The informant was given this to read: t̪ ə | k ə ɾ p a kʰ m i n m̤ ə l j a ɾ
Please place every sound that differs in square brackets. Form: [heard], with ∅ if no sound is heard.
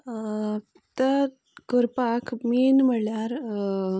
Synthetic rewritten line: t̪ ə | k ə ɾ p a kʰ m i n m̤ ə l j a ɾ